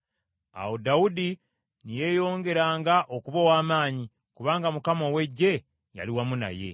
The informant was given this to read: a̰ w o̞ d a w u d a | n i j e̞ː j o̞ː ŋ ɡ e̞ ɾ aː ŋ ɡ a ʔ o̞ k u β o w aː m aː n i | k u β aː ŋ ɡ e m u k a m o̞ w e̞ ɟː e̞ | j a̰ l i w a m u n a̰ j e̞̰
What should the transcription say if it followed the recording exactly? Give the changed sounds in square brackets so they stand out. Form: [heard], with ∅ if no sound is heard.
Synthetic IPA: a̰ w o̞ d a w u d [i] | n i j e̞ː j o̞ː ŋ ɡ e̞ ɾ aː ŋ ɡ a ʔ o̞ k u β o w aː m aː [ɲ] i | k u β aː ŋ ɡ [a] m u k a m o̞ w e̞ ɟː e̞ | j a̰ l i w a m u n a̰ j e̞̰